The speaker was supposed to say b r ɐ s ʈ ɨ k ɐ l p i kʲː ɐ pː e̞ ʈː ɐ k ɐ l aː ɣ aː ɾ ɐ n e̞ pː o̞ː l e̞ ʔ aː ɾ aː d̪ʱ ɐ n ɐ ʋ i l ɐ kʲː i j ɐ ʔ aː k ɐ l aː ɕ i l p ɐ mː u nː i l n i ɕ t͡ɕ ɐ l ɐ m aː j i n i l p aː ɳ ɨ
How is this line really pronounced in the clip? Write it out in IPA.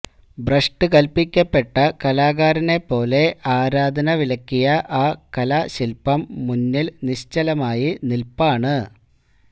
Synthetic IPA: b r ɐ ʂ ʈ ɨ k ɐ l p i kʲː ɐ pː e̞ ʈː ɐ k ɐ l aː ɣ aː ɾ ɐ n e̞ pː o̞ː l e̞ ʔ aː ɾ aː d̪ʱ ɐ n ɐ ʋ i l ɐ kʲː i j ɐ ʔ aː k ɐ l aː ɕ i l p ɐ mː u nː i l n i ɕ t͡ɕ ɐ l ɐ m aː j i n i l p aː ɳ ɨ